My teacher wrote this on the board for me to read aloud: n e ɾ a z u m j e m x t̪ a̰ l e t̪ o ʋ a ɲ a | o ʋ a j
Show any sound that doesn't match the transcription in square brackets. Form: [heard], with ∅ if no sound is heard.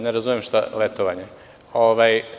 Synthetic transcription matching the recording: n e ɾ a z u m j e m [ʃ] t̪ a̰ l e t̪ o ʋ a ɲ [e] | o ʋ a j